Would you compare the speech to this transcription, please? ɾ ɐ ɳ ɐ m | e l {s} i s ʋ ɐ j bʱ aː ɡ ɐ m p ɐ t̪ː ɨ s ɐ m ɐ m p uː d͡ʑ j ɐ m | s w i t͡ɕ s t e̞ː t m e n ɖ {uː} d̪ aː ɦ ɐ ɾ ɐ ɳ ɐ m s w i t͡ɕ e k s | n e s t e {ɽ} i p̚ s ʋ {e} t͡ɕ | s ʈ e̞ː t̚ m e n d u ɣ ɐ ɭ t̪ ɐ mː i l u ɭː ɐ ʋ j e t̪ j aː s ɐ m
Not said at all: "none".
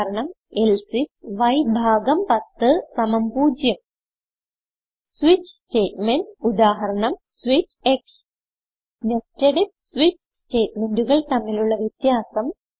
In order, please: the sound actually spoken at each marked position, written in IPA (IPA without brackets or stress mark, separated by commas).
s, u, ɽ, i